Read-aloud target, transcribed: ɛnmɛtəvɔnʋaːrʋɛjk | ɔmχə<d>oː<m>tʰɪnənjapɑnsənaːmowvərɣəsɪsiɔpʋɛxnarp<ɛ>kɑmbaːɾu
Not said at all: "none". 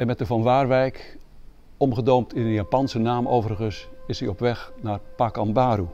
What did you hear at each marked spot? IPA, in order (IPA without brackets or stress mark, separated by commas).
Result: d, m, a